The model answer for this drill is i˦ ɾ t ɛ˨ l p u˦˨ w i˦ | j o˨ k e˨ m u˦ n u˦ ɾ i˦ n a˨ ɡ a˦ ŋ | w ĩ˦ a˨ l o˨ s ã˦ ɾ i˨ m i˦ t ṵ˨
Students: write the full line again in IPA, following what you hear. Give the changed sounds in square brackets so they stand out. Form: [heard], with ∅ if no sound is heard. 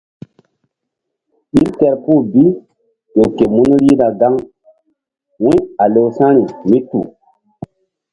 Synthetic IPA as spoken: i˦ ɾ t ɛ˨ [ɾ] p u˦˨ [b] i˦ | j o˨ k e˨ m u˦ n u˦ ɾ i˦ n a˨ ɡ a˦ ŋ | w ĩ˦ a˨ l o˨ s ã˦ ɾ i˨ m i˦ t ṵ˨